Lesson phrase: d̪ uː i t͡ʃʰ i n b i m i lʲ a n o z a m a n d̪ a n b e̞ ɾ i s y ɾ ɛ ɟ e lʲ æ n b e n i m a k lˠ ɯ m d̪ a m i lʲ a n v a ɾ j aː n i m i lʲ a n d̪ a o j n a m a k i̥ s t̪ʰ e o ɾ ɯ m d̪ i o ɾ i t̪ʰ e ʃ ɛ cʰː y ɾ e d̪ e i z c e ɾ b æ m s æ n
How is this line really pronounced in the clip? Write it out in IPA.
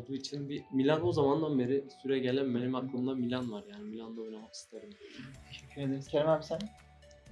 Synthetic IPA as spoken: d̪ uː i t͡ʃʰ i n b i m i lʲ a n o z a m a n d̪ a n b e̞ ɾ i s y ɾ ɛ ɟ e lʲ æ n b e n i m a k lˠ ɯ m d̪ a m i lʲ a n v a ɾ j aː n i m i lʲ a n d̪ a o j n a m a k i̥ s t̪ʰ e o ɾ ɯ m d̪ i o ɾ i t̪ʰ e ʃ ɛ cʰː y ɾ e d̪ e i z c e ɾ m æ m s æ n